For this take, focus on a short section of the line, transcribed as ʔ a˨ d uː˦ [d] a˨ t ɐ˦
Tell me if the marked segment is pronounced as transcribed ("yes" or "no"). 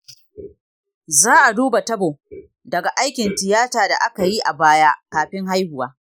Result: no